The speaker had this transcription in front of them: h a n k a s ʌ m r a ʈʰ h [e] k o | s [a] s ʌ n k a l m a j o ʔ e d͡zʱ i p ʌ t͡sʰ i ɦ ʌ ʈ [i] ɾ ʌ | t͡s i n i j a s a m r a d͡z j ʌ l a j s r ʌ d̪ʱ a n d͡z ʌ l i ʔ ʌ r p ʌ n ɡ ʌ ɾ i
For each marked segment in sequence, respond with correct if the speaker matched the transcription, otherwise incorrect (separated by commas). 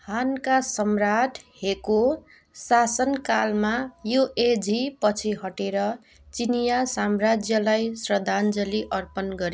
correct, correct, incorrect